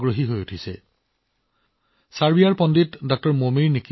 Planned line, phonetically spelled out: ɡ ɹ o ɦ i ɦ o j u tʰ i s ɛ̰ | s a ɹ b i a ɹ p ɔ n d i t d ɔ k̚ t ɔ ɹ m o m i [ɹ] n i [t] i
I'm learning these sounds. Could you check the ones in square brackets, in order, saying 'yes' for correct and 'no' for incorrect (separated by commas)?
yes, no